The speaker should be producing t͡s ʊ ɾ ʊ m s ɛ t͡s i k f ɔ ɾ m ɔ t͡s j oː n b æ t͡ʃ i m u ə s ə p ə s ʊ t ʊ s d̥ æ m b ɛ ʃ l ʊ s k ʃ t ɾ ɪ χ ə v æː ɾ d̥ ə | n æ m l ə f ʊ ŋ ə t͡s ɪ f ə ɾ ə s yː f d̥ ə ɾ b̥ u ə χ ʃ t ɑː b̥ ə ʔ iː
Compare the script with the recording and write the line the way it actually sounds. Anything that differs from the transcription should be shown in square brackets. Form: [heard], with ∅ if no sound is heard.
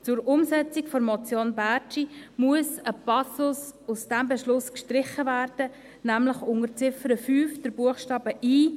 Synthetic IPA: t͡s ʊ ɾ ʊ m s ɛ t͡s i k f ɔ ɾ m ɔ t͡s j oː n b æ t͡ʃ i m u ə s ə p [ɑ] s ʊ [s] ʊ s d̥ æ m b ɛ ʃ l ʊ s k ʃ t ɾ ɪ χ ə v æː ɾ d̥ ə | n æ m l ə [χ] ʊ ŋ ə t͡s ɪ f ə ɾ ə [f] yː f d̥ ə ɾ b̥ u ə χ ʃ t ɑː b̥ ə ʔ iː